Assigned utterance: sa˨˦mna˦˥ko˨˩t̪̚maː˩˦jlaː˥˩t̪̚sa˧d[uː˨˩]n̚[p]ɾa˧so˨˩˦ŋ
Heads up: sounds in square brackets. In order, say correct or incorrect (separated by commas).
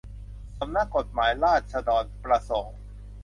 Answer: incorrect, correct